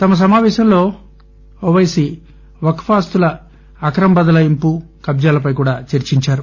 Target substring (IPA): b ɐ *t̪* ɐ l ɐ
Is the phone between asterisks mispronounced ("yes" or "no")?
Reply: yes